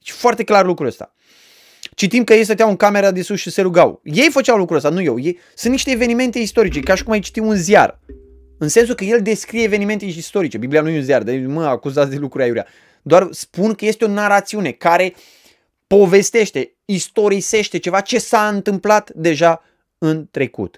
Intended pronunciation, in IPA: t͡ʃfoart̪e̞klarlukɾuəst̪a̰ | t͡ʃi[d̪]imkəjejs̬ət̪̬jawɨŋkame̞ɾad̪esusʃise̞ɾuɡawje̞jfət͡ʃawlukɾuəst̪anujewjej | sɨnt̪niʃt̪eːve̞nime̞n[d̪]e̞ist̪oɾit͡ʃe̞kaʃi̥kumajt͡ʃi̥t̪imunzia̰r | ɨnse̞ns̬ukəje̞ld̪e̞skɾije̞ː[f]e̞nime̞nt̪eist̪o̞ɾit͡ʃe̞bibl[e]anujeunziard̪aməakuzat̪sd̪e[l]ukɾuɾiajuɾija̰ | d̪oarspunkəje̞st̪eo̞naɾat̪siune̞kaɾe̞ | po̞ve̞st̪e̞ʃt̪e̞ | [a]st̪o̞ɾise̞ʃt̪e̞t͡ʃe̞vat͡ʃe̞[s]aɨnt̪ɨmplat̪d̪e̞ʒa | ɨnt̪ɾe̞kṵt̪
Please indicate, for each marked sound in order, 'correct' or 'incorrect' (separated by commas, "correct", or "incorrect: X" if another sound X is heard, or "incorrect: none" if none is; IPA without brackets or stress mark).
incorrect: t̪, incorrect: t̪, incorrect: v, incorrect: i, correct, incorrect: i, correct